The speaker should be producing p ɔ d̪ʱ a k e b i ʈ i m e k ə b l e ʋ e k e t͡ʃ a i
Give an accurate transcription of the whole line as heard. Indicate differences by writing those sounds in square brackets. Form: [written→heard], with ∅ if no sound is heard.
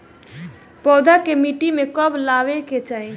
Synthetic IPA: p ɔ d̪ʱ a k e [b→m] i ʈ i m e k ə b l [e→a] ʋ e k e t͡ʃ a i